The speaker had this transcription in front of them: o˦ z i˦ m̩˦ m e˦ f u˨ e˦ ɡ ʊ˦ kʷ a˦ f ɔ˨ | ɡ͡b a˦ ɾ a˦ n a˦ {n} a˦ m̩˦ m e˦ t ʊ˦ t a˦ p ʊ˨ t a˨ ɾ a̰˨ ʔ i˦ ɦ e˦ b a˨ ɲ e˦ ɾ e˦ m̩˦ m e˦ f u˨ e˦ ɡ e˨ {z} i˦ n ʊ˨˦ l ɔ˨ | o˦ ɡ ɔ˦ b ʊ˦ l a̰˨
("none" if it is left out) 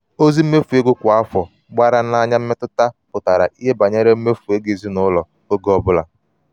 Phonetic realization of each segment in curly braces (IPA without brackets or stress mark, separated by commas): ɲ, z